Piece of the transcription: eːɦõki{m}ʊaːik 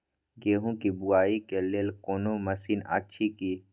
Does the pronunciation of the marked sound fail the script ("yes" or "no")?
yes